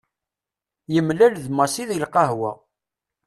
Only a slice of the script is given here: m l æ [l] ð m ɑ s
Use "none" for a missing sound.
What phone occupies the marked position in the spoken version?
l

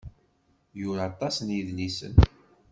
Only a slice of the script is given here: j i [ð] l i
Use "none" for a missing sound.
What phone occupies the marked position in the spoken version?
ð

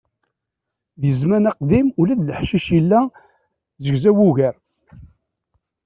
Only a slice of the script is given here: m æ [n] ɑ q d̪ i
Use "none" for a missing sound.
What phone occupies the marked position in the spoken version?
n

